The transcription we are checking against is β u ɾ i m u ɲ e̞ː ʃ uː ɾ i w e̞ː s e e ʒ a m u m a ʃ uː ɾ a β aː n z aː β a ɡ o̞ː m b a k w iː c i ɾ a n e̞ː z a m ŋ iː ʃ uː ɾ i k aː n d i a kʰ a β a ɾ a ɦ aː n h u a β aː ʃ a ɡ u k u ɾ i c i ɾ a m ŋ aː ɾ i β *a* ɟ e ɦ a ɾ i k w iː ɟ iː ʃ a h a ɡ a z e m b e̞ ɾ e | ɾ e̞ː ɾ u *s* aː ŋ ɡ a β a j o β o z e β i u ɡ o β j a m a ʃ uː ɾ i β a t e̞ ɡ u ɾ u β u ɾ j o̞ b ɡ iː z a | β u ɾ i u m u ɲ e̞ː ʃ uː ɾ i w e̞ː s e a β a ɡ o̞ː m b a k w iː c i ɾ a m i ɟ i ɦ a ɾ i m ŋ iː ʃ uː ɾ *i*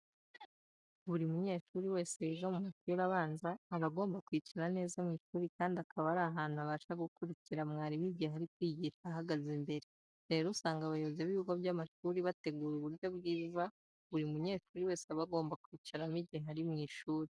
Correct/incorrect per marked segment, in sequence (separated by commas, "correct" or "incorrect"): incorrect, correct, correct